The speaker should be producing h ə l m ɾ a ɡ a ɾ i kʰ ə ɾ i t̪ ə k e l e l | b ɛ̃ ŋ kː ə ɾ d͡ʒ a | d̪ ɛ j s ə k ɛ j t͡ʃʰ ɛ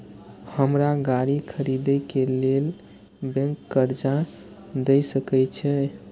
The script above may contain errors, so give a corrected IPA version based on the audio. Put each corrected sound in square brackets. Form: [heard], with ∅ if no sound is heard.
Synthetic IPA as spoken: h ə [∅] m ɾ a ɡ a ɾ i kʰ ə ɾ i [d̪] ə k e l e l | b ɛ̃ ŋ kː ə ɾ d͡ʒ a | d̪ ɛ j s ə k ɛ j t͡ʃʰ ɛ